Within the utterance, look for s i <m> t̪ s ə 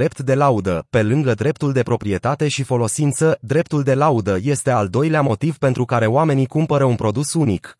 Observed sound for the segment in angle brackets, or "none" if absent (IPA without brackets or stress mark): n